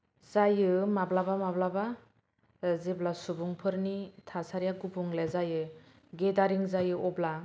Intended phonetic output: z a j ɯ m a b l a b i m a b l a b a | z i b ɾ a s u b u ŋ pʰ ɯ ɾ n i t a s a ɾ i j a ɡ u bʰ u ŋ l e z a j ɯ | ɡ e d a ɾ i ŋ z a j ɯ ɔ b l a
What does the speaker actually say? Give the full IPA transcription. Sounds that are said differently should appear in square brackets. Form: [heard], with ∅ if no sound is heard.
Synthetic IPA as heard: z a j ɯ m a b l a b [a] m a b l a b a | z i b [l] a s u b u ŋ pʰ ɯ ɾ n i [tʰ] a s a ɾ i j a ɡ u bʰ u ŋ l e z a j ɯ | ɡ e d a ɾ i ŋ z a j ɯ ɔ b l a